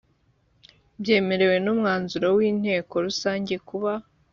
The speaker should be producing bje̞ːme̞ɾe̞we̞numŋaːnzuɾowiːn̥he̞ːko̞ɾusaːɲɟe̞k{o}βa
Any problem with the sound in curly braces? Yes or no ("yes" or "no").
yes